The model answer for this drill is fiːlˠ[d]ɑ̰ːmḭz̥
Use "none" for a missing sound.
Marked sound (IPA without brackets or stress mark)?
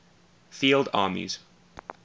d